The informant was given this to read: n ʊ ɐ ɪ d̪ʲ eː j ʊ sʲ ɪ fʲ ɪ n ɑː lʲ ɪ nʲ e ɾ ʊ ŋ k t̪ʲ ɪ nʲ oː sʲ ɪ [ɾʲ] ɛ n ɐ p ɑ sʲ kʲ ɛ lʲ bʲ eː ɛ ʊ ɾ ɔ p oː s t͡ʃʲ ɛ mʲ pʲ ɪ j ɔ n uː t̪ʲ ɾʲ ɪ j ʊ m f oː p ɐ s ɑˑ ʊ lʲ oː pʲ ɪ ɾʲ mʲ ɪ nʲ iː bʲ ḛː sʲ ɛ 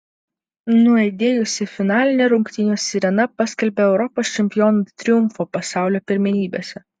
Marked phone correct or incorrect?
correct